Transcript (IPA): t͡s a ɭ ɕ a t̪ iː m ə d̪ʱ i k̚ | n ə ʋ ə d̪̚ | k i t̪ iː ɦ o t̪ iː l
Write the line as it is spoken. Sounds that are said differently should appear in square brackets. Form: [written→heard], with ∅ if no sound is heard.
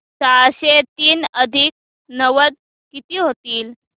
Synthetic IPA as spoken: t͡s a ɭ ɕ [a→e] t̪ iː [m→n] ə d̪ʱ i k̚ | n ə ʋ ə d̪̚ | k i t̪ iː ɦ o t̪ iː l